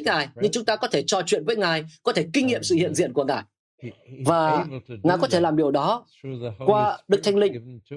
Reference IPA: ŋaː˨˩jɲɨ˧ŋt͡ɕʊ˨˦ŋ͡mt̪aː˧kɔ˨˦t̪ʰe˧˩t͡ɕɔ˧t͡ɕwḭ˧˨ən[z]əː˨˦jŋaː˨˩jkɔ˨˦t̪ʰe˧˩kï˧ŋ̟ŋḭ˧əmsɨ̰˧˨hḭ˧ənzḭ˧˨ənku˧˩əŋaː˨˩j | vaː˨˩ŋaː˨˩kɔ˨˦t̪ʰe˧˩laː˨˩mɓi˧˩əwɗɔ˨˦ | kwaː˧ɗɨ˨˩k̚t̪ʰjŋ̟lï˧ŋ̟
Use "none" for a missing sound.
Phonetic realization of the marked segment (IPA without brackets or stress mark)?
v